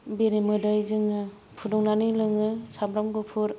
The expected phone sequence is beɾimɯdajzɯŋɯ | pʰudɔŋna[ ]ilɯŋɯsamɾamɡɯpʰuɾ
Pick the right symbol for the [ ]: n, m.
n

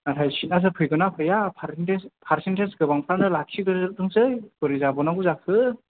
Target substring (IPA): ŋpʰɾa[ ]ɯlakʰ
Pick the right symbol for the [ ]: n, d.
n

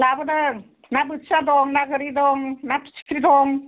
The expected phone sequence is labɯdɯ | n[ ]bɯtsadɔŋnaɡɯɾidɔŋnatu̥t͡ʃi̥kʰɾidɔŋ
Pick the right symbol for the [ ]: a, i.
a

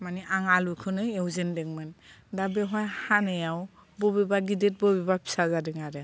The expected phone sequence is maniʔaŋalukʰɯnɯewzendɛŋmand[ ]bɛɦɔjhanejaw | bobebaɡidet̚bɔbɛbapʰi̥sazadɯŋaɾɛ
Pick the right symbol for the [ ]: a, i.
a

